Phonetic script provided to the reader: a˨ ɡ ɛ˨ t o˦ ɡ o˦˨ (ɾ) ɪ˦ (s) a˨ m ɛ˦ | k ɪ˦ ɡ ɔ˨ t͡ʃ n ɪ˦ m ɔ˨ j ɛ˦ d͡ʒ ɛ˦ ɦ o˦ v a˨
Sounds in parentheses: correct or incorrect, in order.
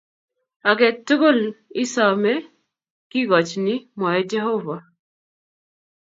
incorrect: l, correct

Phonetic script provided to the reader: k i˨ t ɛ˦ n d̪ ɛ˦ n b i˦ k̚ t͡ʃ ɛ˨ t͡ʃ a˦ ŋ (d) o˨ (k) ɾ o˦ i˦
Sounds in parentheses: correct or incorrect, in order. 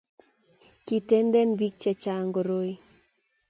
incorrect: ɡ, incorrect: none

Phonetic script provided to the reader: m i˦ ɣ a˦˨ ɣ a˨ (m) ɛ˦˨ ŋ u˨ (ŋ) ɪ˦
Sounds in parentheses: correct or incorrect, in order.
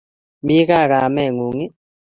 correct, correct

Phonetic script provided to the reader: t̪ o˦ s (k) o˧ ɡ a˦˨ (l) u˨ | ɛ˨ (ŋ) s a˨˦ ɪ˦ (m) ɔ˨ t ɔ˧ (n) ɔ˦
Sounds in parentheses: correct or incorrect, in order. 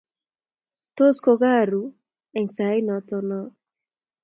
correct, incorrect: ɾ, correct, incorrect: n, correct

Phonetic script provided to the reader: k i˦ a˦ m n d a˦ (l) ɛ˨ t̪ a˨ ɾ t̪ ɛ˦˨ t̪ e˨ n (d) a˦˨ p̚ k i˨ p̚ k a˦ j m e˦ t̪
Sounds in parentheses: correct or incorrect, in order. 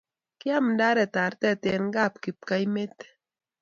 incorrect: ɾ, incorrect: ɡ

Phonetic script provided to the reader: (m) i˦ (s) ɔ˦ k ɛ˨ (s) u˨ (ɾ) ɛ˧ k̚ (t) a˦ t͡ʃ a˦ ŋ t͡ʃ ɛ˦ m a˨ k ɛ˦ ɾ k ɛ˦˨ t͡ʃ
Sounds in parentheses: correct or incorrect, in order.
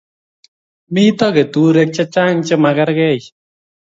correct, incorrect: t, incorrect: t, correct, incorrect: t͡ʃ

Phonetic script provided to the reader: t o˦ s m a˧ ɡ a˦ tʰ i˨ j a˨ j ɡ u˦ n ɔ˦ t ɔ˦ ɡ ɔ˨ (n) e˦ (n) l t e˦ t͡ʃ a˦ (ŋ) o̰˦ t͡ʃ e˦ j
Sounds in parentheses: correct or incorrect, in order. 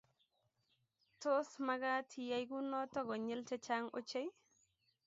incorrect: ɲ, incorrect: none, correct

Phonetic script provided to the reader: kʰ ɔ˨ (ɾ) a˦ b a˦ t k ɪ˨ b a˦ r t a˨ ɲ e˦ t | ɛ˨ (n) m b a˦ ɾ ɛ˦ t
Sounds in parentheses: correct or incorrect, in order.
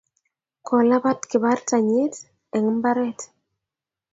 incorrect: l, incorrect: ŋ

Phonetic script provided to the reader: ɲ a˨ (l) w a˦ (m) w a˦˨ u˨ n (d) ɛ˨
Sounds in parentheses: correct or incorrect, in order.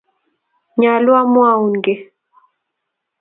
correct, correct, incorrect: ɡ

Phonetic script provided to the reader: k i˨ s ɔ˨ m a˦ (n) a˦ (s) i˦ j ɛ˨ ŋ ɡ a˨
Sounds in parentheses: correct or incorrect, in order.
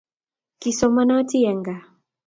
correct, incorrect: t

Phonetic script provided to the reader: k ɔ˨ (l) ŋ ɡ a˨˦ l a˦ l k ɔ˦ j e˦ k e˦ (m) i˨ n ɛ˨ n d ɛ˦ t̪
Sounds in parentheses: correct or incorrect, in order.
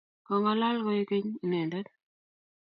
incorrect: none, incorrect: ɲ

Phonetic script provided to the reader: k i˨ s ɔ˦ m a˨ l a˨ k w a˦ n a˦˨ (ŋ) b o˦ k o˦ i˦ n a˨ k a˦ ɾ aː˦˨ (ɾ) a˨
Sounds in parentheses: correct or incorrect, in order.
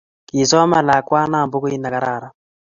incorrect: m, correct

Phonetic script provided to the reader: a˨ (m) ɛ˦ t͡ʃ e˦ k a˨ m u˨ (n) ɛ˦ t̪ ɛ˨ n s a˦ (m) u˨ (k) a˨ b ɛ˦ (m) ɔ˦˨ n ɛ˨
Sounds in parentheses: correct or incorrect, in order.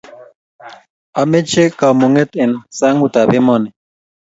correct, incorrect: ŋ, incorrect: ŋ, incorrect: t, correct

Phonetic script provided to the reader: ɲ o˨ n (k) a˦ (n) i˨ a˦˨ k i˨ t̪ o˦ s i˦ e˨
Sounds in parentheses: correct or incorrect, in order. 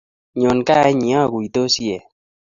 correct, incorrect: ɲ

